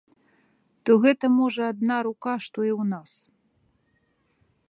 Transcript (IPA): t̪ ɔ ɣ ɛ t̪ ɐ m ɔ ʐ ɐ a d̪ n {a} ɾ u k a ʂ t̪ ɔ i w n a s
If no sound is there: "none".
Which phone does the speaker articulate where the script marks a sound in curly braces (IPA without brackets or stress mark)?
a